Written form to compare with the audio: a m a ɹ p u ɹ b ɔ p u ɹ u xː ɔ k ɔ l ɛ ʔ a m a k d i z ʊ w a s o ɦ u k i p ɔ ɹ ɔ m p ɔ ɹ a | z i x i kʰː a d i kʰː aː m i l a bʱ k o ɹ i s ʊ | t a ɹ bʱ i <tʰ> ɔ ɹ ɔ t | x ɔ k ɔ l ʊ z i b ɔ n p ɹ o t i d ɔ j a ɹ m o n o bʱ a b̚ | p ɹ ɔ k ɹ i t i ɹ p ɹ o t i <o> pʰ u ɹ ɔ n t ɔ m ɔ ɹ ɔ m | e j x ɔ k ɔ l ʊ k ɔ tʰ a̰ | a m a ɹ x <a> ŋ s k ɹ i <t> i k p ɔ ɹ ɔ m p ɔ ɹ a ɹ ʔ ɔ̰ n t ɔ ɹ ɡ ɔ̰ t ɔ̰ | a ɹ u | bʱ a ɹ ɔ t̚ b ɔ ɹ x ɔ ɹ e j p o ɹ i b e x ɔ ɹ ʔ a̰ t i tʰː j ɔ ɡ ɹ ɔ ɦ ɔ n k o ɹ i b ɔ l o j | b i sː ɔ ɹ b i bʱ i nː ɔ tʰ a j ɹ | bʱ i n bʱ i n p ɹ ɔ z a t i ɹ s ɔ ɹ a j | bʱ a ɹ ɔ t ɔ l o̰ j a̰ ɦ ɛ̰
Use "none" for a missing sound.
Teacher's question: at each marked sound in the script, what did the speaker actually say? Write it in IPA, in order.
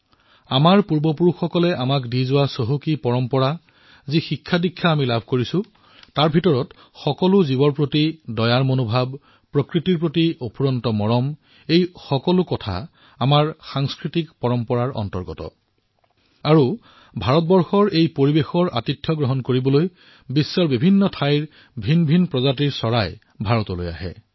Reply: t, o, a, t

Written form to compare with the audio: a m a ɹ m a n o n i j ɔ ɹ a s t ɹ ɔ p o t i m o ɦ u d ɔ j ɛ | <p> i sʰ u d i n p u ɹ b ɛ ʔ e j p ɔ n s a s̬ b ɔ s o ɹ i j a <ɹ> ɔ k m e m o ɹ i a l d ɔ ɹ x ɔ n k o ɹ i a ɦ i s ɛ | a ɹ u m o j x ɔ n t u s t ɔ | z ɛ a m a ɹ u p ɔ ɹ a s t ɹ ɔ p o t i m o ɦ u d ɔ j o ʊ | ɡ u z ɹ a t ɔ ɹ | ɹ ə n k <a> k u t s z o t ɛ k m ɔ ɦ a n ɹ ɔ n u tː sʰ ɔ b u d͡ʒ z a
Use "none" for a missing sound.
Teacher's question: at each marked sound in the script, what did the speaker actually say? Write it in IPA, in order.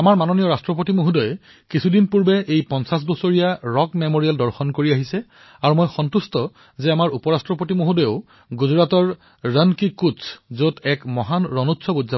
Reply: k, ɹ, i

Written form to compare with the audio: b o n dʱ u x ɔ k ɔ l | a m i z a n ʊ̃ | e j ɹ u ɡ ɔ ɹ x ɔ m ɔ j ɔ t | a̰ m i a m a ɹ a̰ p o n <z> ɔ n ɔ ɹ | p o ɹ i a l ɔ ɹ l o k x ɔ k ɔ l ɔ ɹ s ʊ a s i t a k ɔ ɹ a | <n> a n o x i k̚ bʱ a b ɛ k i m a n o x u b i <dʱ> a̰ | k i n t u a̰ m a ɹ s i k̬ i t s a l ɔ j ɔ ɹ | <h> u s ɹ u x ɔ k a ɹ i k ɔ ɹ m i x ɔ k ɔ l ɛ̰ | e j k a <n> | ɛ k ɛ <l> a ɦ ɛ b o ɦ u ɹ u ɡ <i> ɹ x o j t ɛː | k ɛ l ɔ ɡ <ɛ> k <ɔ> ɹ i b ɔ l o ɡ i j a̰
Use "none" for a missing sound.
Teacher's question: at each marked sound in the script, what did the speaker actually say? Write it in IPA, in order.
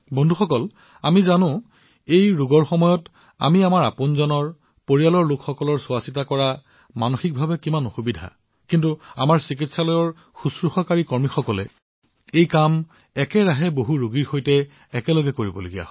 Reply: z, m, dʱ, x, m, ɹ, i, ɛ, o

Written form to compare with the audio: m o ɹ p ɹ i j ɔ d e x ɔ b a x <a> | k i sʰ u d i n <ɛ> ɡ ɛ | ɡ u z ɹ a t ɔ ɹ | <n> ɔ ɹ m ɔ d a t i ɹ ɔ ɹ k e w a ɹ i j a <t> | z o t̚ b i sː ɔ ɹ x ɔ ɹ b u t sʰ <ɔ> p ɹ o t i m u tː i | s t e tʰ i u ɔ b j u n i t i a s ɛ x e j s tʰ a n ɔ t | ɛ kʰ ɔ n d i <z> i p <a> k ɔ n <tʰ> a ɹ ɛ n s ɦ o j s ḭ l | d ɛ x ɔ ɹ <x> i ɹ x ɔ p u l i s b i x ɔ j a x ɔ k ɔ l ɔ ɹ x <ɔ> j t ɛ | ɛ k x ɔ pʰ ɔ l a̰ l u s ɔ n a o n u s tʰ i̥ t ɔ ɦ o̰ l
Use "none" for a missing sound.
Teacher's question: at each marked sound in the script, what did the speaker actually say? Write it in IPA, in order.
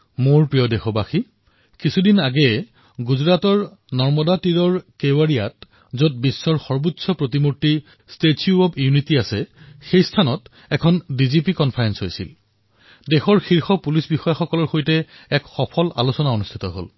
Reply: i, a, n, t, ɔ, z, i, pʰ, x, o

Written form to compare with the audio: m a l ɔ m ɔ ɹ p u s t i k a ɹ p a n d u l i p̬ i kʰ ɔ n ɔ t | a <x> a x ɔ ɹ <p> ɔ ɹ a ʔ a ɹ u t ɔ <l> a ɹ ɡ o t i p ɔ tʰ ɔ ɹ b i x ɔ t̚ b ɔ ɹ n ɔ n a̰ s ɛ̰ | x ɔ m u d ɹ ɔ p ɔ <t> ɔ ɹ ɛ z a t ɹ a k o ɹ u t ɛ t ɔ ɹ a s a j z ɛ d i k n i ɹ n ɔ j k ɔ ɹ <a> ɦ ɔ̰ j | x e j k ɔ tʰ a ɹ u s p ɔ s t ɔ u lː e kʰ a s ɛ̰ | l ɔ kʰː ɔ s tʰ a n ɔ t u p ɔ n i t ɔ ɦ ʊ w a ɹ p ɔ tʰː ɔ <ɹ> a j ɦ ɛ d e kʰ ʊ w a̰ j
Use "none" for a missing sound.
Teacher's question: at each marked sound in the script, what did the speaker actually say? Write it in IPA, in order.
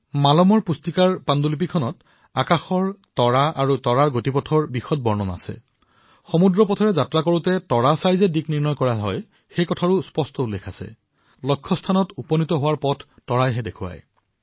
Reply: k, t, ɹ, tʰ, a, ɹ

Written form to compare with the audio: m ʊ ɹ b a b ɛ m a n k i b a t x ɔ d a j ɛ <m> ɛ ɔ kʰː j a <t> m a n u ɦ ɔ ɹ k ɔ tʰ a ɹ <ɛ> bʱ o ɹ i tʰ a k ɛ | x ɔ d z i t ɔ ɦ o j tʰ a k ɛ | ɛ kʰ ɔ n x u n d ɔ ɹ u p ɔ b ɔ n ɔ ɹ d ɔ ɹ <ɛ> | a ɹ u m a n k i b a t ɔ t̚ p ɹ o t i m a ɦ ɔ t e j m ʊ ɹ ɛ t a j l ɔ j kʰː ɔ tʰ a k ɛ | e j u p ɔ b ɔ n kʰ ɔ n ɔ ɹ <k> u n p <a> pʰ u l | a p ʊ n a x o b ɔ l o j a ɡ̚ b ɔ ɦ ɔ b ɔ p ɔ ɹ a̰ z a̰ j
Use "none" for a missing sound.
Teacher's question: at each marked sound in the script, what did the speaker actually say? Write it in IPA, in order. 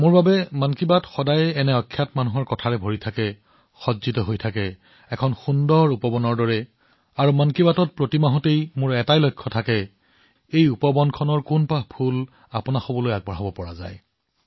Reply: n, t, ɛ, ɛ, k, a

